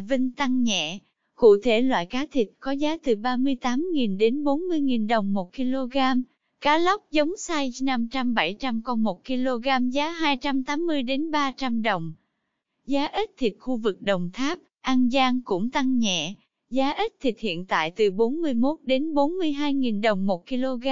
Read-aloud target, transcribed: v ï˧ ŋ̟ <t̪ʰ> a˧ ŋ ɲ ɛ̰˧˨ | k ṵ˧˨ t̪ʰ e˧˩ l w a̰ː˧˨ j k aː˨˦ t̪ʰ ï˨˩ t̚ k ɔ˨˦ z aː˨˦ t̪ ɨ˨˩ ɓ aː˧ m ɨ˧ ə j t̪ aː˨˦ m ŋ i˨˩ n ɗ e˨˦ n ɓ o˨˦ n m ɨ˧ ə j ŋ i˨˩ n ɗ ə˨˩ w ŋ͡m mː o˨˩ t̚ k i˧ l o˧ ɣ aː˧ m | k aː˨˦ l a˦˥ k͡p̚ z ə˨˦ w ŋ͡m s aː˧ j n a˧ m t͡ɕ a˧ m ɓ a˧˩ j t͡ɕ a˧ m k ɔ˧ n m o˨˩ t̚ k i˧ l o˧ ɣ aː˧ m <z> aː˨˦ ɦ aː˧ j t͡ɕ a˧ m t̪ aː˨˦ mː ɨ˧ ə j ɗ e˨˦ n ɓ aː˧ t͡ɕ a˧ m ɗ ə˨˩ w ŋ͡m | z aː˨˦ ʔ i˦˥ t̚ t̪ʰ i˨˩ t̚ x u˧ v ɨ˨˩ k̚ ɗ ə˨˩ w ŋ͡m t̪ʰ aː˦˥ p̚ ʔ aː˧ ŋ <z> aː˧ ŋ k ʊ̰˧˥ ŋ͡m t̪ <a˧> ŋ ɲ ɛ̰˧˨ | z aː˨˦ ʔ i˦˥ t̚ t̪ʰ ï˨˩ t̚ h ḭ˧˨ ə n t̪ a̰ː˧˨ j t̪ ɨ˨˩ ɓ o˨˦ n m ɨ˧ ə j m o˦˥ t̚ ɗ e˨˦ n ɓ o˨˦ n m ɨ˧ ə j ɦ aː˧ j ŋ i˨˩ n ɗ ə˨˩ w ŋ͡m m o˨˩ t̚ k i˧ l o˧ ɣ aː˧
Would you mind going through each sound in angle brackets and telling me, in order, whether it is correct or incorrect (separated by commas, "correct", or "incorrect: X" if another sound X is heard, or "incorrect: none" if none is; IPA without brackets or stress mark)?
incorrect: t̪, correct, correct, correct